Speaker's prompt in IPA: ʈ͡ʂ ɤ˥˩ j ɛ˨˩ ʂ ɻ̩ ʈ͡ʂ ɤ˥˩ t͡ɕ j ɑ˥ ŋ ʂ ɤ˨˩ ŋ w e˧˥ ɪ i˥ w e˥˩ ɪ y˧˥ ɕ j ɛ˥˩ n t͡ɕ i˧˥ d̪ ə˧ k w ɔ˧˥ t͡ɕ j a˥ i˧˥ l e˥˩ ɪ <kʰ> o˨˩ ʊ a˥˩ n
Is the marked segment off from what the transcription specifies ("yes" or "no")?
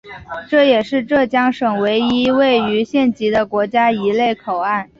no